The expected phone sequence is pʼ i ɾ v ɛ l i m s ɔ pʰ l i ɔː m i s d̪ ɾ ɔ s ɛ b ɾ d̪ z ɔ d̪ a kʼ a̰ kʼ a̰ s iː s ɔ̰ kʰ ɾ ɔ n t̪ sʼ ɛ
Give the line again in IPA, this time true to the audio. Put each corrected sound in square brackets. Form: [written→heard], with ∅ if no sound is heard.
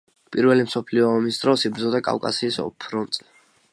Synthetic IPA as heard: pʼ i ɾ v ɛ l i m s ɔ pʰ l i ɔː m i s d̪ ɾ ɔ s [ɛ→i] b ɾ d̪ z ɔ d̪ a kʼ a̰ kʼ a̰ s iː s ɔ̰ [kʰ→pʰ] ɾ ɔ n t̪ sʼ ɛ

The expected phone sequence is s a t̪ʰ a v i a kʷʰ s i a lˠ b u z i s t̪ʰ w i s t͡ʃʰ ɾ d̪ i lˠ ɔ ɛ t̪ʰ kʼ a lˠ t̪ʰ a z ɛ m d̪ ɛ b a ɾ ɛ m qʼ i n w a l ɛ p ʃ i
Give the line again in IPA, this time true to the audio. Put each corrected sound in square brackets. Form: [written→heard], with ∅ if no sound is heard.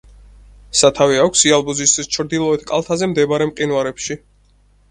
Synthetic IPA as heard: s a t̪ʰ a v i a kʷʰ s i a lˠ b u z i s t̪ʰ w i s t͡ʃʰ ɾ d̪ i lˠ ɔ ɛ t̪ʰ kʼ a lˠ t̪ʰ a z ɛ m d̪ ɛ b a ɾ ɛ m qʼ i n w a [l→ɾ] ɛ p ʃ i

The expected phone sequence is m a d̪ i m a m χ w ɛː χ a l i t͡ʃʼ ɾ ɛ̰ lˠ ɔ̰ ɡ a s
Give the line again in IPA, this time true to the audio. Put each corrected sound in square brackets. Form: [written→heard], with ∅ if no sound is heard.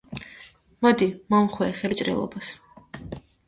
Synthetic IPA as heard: m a d̪ i m a m χ w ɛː χ [a→ɛ] l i t͡ʃʼ ɾ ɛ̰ lˠ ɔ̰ [ɡ→b] a s

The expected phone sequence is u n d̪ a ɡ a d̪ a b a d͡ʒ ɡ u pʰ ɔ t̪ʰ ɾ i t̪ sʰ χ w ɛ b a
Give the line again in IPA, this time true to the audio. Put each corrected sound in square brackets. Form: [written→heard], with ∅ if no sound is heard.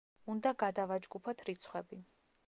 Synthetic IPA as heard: u n d̪ a ɡ a d̪ a [b→v] a d͡ʒ ɡ u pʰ ɔ t̪ʰ ɾ i t̪ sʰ χ w ɛ b [a→i]

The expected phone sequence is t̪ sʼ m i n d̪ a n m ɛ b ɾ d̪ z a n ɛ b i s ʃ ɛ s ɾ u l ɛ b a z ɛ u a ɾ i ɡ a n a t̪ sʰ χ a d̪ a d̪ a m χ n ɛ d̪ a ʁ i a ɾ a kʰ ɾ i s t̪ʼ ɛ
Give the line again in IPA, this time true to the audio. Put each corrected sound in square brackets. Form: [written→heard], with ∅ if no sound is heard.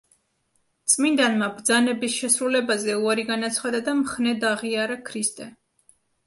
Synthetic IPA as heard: t̪ sʼ m i n d̪ a n m [ɛ→a] b ɾ d̪ z a n ɛ b i s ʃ ɛ s ɾ u l ɛ b a z ɛ u a ɾ i ɡ a n a t̪ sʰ χ a d̪ a d̪ a m χ n ɛ d̪ a ʁ i a ɾ a kʰ ɾ i s t̪ʼ ɛ

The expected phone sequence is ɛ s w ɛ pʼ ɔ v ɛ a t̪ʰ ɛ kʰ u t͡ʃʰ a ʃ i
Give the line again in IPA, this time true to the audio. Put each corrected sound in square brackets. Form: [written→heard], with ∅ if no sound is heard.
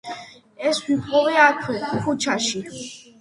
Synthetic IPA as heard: ɛ s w [ɛ→i] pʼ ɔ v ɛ a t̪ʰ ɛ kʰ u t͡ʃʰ a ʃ i

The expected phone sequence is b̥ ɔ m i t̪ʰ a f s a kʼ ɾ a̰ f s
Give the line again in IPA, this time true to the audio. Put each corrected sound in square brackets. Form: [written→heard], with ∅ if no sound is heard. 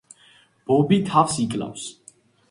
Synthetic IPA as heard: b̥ ɔ [m→b] i t̪ʰ a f s [a→i] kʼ [ɾ→l] a̰ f s

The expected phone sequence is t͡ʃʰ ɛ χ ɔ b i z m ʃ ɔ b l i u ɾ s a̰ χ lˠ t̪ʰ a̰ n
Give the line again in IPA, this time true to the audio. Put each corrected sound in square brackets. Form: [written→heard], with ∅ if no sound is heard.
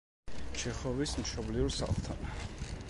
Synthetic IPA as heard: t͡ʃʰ ɛ χ ɔ [b→v] i [z→s] m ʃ ɔ b l i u ɾ s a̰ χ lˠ t̪ʰ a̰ n

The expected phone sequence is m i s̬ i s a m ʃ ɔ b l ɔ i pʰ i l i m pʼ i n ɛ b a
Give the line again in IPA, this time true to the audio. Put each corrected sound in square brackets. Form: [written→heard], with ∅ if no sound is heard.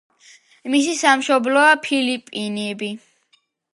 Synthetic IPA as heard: m i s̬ i s a m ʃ ɔ b l ɔ [i→a] pʰ i l i [m→∅] pʼ i n ɛ b [a→i]

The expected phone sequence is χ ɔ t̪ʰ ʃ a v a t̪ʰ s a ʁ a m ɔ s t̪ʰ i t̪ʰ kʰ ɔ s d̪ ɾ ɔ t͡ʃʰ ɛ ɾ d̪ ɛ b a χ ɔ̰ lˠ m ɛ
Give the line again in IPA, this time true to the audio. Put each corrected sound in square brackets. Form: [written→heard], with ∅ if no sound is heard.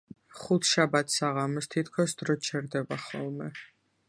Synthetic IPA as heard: χ [ɔ→u] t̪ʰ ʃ a [v→b] a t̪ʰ s a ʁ a m ɔ s t̪ʰ i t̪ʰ kʰ ɔ s d̪ ɾ ɔ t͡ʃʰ ɛ ɾ d̪ ɛ b a χ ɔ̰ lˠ m ɛ

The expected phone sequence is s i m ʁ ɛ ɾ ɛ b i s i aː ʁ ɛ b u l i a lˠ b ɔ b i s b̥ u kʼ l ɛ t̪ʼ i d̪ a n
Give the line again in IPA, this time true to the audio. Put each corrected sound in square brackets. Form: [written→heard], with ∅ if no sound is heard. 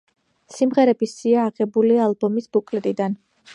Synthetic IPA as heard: s i m ʁ ɛ ɾ ɛ b i s i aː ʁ ɛ b u l i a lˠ b ɔ [b→m] i s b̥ u kʼ l ɛ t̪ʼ i d̪ a n

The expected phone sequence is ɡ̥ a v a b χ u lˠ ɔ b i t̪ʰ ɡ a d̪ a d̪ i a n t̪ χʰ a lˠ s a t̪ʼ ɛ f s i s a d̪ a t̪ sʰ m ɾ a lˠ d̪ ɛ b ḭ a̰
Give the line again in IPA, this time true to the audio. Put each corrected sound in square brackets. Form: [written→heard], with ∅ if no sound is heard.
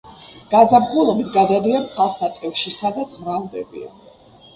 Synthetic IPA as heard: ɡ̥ a [v→z] a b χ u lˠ ɔ b i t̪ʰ ɡ a d̪ a d̪ i a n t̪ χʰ a lˠ s a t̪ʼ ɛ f [s→ʃ] i s a d̪ a t̪ sʰ m ɾ a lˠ d̪ ɛ b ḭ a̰

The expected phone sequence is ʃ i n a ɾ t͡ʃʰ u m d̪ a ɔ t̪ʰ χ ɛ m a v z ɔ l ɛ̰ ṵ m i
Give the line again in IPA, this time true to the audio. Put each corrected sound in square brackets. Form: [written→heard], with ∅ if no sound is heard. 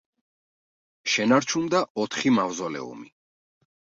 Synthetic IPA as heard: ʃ [i→ɛ] n a ɾ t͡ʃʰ u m d̪ a ɔ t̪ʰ χ [ɛ→i] m a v z ɔ l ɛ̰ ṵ m i

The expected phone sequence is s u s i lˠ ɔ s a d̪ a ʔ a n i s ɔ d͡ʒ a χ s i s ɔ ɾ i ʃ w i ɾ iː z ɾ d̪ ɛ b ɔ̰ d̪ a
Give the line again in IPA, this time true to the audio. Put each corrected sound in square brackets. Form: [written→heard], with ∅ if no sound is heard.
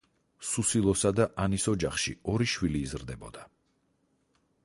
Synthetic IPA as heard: s u s i lˠ ɔ s a d̪ a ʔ a n i s ɔ d͡ʒ a χ [s→ʃ] i [s→∅] ɔ ɾ i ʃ w i [ɾ→l] iː z ɾ d̪ ɛ b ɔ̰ d̪ a

